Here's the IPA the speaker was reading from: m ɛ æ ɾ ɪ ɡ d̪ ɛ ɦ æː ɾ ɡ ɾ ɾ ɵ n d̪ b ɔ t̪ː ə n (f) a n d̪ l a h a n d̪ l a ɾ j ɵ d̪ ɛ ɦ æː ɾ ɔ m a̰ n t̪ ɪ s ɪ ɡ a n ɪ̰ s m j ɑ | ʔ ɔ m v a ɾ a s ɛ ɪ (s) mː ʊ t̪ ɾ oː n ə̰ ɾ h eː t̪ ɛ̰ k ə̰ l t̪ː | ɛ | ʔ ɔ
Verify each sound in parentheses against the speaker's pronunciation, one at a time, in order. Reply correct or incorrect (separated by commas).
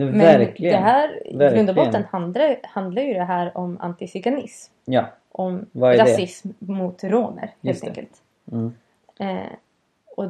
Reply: incorrect, correct